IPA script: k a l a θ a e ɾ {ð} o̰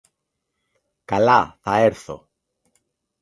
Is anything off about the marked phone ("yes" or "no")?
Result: yes